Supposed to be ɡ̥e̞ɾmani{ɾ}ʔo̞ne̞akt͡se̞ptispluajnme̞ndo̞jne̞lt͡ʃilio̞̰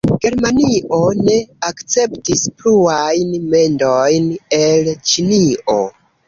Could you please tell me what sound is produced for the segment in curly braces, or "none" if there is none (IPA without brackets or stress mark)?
none